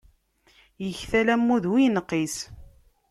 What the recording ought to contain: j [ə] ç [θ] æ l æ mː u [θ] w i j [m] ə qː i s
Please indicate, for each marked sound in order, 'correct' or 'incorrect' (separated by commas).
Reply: correct, correct, incorrect, incorrect